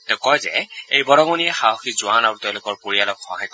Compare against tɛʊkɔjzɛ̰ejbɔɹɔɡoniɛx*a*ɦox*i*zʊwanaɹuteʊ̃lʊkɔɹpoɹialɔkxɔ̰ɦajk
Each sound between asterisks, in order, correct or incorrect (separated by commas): correct, correct